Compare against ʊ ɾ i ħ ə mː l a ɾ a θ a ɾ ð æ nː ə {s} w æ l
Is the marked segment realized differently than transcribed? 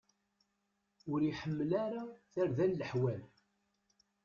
yes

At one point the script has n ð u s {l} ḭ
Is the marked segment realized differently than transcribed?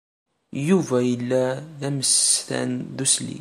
no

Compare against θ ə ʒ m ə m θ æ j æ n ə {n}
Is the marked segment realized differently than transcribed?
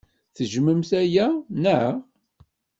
yes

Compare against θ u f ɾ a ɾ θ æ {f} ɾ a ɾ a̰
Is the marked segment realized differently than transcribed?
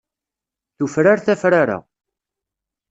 no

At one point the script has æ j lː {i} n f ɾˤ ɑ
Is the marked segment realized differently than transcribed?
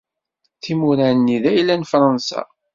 yes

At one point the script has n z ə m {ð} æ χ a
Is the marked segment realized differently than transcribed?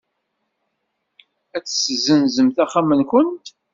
yes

